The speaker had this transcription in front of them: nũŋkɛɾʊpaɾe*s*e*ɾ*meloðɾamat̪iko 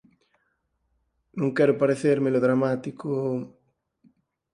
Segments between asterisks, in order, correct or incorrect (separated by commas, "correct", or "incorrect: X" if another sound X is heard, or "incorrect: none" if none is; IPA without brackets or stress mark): incorrect: θ, correct